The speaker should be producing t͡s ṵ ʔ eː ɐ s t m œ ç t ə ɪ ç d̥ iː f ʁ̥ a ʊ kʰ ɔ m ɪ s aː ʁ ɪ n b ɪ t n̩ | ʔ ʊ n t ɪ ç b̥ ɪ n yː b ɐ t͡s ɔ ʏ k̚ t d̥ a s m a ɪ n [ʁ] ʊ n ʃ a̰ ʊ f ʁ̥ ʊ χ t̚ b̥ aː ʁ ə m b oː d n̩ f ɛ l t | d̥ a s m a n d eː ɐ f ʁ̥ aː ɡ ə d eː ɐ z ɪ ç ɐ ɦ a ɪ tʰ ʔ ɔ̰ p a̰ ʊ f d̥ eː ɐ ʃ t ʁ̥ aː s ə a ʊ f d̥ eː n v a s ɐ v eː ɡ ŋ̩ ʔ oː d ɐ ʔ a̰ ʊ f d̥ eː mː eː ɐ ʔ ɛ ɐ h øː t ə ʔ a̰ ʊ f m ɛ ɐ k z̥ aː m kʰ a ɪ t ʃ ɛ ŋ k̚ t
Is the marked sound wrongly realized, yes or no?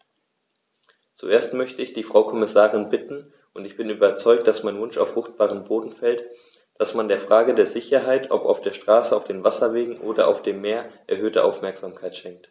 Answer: yes